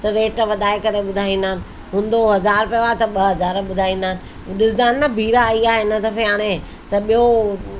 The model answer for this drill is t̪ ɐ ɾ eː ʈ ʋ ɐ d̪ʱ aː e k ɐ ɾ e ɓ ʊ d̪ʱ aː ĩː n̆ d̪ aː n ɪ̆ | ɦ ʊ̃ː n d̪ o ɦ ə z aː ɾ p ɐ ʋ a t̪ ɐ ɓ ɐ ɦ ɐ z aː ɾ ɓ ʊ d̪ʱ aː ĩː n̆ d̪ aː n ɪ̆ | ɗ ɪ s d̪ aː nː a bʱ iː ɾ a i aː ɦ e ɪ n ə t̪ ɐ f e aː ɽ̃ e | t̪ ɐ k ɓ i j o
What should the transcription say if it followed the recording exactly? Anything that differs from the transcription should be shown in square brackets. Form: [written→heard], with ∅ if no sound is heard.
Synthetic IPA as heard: t̪ ɐ ɾ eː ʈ ʋ ɐ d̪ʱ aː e k ɐ ɾ e ɓ ʊ d̪ʱ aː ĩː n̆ d̪ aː n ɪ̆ | ɦ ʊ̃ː n d̪ o ɦ [ə→ɐ] z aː ɾ p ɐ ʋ a t̪ ɐ ɓ ɐ ɦ ɐ z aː ɾ ɓ ʊ d̪ʱ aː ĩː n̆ d̪ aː n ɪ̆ | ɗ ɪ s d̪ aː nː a bʱ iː ɾ a i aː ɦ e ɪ n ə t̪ ɐ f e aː ɽ̃ e | t̪ ɐ [k→∅] ɓ i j o